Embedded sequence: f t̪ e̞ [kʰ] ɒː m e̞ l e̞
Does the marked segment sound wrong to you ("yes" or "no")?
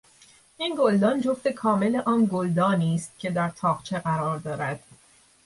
no